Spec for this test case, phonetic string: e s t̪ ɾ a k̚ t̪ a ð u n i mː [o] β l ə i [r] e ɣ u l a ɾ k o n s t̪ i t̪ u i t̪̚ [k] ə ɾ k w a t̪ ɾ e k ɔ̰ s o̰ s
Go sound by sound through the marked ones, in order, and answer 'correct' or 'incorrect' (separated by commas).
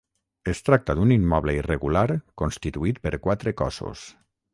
incorrect, correct, incorrect